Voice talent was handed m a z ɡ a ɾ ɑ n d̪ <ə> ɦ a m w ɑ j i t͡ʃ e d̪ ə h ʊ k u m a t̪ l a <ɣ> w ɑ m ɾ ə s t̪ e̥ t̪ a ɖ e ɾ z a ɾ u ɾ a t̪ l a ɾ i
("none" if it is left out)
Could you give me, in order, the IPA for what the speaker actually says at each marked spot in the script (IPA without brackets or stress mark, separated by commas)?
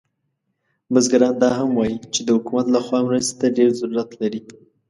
ɑ, x